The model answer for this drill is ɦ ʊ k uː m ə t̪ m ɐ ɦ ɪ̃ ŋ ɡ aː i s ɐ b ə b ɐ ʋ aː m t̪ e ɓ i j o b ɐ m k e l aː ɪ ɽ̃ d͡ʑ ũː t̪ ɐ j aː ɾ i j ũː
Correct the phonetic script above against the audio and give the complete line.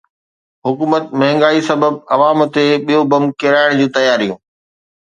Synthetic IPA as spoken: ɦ ʊ k uː m ə t̪ m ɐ ɦ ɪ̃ ŋ ɡ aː i s ɐ b ə b ɐ ʋ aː m t̪ e ɓ i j o b ɐ m k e ɾ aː ɪ ɽ̃ d͡ʑ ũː t̪ ɐ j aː ɾ i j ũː